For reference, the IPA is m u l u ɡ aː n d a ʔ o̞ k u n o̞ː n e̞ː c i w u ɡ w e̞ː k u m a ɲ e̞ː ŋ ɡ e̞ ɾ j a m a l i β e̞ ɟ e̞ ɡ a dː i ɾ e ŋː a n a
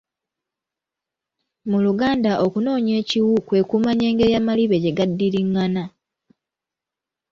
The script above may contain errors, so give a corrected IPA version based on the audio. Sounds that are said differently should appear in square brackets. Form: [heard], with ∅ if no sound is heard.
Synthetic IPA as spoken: m u l u ɡ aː n d a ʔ o̞ k u n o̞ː [ɲ] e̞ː c i w u [k] w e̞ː k u m a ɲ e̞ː ŋ ɡ e̞ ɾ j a m a l i β e̞ ɟ e̞ ɡ a dː i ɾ [i] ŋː a n a